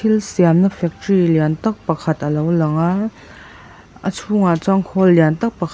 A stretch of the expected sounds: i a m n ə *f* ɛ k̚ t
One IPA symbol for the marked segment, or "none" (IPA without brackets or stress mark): f